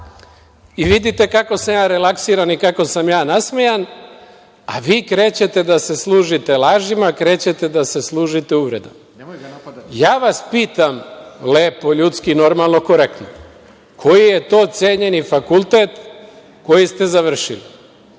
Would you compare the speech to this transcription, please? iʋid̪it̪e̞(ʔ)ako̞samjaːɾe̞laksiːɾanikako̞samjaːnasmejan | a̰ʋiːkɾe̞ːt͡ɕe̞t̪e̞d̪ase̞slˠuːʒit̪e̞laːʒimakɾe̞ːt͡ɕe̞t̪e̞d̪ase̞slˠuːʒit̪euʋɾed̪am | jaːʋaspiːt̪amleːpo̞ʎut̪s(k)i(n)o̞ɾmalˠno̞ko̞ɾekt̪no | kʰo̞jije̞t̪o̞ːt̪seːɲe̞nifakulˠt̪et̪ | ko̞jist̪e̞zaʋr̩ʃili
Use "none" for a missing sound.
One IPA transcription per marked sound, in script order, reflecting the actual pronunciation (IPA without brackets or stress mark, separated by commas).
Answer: k, k, n